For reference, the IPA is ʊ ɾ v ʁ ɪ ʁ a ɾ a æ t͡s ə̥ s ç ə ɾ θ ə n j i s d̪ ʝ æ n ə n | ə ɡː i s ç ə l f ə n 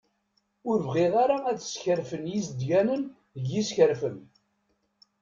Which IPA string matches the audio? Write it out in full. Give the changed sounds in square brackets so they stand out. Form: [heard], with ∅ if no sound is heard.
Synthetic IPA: ʊ ɾ v ʁ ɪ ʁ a ɾ a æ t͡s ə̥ s ç ə ɾ [f] ə n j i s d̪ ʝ æ n ə n | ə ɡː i s ç ə [ɾ] f ə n